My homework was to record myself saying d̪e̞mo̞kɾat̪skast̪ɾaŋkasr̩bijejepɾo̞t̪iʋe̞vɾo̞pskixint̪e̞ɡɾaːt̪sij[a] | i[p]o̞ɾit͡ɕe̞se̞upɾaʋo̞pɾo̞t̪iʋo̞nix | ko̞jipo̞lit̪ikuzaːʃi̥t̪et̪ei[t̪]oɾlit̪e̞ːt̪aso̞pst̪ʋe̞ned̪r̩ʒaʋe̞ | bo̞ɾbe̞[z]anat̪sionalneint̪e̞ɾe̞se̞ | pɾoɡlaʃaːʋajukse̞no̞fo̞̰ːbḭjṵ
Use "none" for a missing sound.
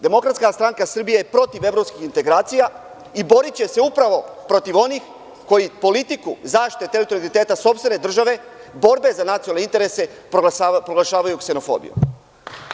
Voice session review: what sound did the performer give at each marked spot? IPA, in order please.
a, b, t̪, z

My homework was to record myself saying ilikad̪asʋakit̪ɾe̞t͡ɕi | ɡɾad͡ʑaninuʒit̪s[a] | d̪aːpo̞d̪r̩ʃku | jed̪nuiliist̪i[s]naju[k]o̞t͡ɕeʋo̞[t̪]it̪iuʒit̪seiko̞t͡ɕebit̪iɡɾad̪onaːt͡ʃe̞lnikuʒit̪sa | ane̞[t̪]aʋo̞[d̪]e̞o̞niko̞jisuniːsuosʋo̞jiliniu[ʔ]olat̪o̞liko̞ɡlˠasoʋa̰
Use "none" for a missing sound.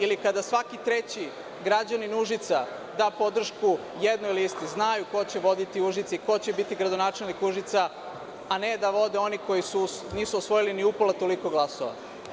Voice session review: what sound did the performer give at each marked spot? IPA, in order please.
a, z, k, d̪, d̪, d̪, p

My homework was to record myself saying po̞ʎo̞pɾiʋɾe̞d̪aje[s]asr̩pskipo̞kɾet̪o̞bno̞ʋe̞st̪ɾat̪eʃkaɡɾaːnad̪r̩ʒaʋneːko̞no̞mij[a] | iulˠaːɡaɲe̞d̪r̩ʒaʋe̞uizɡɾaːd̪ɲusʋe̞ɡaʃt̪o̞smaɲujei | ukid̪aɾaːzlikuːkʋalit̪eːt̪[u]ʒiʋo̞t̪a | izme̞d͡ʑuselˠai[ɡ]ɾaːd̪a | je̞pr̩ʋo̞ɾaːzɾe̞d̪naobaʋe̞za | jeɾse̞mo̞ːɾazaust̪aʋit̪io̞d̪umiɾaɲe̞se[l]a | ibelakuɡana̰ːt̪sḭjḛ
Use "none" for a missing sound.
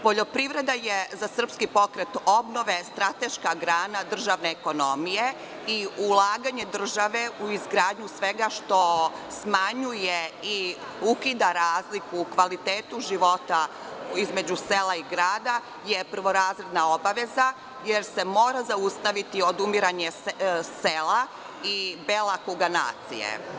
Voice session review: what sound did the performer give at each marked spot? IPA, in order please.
z, e, u, ɡ, l

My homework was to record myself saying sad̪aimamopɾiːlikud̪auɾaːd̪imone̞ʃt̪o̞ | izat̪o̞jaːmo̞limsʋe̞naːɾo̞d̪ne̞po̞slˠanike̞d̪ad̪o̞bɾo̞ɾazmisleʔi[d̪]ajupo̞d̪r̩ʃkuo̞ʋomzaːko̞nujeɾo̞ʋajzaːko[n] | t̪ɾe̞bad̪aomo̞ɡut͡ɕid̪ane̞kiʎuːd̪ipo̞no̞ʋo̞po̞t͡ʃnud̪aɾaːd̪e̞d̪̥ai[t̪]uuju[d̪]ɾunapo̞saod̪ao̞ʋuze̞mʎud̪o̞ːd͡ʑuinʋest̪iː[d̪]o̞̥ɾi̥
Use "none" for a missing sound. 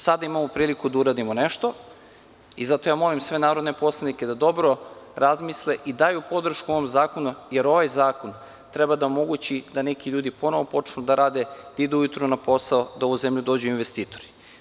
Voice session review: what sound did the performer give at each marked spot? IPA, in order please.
d̪, n, d̪, t̪, t̪

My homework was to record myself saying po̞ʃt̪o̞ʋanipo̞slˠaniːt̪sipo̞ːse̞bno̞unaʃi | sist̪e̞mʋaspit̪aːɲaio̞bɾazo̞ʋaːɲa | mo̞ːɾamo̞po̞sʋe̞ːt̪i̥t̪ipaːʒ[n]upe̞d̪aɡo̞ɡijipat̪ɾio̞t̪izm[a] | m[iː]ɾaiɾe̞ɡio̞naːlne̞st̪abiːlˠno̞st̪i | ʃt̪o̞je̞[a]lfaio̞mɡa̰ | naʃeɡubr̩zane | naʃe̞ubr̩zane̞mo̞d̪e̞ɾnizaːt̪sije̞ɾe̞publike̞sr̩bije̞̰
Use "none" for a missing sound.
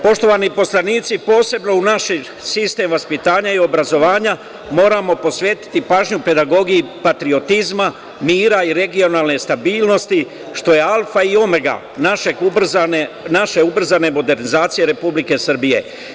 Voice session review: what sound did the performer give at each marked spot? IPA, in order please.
ɲ, a, iː, a

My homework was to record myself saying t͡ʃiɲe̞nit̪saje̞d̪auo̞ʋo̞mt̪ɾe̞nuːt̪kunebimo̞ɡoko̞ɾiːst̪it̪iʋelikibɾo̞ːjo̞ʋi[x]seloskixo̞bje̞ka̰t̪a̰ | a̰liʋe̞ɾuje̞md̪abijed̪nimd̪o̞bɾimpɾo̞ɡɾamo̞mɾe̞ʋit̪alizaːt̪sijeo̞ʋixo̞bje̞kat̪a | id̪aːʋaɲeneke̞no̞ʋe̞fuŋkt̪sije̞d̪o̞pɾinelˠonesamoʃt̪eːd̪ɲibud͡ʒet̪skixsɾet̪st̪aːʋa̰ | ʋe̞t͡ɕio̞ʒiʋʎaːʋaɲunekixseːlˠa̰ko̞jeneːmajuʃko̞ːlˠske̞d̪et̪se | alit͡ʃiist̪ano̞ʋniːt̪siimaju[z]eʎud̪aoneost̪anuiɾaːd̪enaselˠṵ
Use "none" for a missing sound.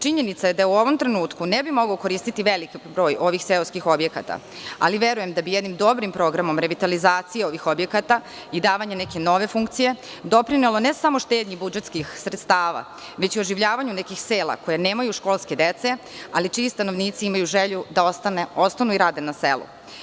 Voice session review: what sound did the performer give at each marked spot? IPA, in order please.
x, ʒ

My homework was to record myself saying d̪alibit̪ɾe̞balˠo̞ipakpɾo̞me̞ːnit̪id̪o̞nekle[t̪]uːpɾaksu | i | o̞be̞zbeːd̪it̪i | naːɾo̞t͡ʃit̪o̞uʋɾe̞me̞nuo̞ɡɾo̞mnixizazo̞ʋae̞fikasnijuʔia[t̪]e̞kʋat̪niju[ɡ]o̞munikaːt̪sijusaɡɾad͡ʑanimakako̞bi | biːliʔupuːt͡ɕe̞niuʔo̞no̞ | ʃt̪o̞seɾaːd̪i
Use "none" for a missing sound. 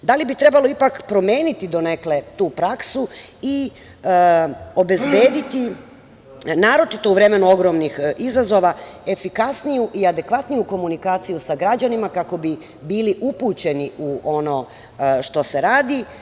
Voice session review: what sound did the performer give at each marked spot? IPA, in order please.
t̪, d̪, k

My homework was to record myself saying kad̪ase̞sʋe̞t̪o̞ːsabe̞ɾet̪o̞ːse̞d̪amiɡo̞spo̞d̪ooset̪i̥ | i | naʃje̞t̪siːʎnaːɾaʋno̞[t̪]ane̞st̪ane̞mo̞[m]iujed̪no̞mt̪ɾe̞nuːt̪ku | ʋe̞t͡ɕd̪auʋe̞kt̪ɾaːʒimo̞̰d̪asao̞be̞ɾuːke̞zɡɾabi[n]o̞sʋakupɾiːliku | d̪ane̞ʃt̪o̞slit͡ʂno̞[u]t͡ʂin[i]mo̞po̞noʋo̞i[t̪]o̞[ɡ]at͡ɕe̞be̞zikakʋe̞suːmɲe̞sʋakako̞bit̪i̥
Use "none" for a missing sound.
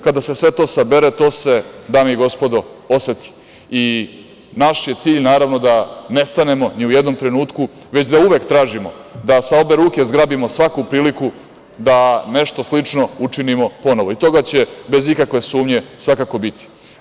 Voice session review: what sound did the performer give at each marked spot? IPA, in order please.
d̪, n, m, u, i, t̪, ɡ

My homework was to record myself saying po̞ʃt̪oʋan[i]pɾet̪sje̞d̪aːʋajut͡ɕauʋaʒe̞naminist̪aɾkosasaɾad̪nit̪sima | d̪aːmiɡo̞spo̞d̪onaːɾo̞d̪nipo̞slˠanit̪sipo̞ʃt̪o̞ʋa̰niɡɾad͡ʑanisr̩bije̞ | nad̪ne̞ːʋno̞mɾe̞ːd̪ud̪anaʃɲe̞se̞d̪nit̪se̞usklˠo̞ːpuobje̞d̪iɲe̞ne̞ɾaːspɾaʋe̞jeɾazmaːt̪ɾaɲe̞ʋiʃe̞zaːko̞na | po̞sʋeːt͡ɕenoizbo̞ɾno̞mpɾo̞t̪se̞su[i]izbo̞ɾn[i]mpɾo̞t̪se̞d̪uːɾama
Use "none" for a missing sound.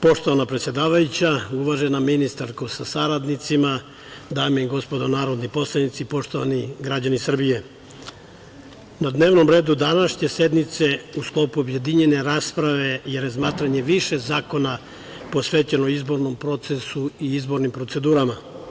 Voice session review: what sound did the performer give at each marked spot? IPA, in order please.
a, i, i

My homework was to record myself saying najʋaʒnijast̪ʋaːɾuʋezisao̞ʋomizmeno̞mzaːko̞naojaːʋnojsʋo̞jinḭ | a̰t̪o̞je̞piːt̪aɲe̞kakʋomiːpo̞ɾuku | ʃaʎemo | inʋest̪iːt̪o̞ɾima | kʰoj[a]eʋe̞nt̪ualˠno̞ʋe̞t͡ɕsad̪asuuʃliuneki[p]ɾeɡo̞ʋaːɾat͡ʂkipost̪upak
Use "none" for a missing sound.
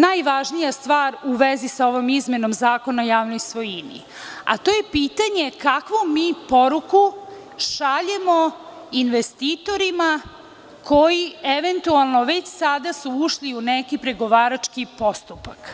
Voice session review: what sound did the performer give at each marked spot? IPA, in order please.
i, p

